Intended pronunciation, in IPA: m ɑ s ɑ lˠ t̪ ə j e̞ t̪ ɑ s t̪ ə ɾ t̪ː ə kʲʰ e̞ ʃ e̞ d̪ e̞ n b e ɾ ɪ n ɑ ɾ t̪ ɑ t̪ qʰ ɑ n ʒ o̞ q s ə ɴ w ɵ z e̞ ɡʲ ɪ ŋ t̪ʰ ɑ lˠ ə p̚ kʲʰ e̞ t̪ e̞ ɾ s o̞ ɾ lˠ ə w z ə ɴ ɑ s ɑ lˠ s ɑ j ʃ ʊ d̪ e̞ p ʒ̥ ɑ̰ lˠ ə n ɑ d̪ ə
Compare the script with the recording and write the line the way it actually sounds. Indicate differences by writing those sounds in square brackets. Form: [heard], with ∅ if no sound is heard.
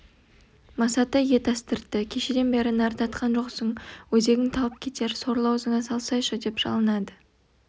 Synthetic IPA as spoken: m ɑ s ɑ [∅] t̪ ə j e̞ t̪ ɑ s t̪ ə ɾ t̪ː ə kʲʰ e̞ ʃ e̞ d̪ e̞ n b e ɾ ɪ n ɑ ɾ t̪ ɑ t̪ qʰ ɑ n ʒ o̞ q s ə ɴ w ɵ z e̞ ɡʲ ɪ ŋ t̪ʰ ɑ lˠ ə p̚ kʲʰ e̞ t̪ e̞ ɾ s o̞ ɾ lˠ [ɑ] w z ə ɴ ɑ s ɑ lˠ s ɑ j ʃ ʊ d̪ e̞ p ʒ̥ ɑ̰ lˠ ə n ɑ d̪ ə